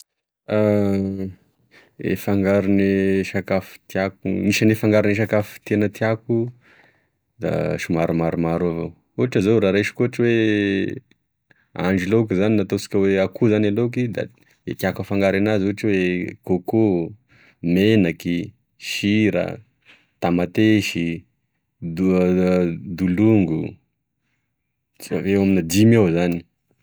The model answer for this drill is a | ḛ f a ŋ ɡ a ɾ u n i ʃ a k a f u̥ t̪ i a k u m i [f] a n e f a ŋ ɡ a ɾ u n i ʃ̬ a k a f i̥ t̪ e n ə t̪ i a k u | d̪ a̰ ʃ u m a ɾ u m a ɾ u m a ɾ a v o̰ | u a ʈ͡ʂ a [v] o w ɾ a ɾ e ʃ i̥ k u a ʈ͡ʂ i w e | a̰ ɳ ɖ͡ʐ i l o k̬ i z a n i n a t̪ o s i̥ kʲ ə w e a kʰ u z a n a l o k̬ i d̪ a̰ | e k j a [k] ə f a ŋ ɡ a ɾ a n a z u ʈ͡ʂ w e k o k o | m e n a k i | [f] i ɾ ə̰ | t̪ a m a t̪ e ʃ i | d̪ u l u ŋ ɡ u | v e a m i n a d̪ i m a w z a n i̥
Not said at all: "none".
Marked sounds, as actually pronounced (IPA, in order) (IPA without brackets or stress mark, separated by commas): ʃ, z, k, ʃ